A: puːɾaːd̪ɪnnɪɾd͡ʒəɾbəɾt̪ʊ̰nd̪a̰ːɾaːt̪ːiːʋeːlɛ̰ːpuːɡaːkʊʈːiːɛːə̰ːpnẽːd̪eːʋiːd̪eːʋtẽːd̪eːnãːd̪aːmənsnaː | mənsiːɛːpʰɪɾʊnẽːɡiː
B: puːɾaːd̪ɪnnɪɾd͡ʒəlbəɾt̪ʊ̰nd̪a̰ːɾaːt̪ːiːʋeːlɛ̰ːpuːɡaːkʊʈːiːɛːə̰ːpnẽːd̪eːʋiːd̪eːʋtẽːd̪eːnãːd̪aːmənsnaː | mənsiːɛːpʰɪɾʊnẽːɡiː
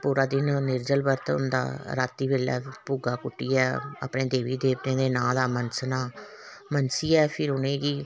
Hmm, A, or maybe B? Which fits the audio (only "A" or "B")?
B